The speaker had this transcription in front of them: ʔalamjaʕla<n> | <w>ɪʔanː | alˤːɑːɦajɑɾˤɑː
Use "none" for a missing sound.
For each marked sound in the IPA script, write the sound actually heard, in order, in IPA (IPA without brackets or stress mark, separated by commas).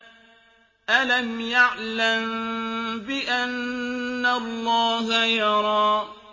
m, b